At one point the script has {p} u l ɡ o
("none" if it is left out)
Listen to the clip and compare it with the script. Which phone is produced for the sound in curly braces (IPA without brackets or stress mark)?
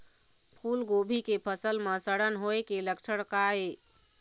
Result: pʰ